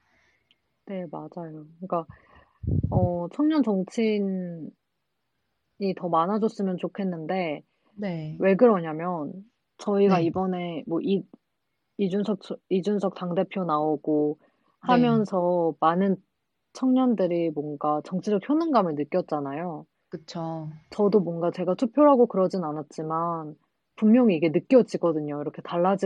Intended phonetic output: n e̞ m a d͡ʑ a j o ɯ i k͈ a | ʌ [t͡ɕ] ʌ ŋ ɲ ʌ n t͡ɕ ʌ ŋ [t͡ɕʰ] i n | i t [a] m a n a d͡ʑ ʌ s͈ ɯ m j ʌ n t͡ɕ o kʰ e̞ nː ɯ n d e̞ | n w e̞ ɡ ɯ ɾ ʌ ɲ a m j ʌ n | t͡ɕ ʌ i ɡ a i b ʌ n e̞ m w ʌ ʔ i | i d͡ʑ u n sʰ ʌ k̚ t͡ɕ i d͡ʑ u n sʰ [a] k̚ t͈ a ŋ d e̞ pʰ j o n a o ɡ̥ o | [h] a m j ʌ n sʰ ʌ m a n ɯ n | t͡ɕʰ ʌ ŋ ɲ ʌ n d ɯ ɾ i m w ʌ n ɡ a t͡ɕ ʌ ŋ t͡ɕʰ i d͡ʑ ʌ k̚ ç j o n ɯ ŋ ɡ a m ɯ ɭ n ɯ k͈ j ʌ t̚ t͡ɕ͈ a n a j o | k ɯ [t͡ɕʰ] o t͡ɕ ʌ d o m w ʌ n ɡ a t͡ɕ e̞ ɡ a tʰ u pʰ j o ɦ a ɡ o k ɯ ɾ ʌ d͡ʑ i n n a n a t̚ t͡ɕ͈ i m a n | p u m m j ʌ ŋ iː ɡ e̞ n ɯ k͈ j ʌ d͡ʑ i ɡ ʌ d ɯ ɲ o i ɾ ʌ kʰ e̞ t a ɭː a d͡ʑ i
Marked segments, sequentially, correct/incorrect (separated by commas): incorrect, correct, incorrect, incorrect, correct, correct